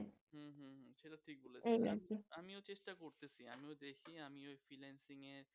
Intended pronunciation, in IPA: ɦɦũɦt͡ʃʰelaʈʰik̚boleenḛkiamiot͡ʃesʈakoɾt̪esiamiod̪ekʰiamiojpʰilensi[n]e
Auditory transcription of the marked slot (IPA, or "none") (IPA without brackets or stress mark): ŋ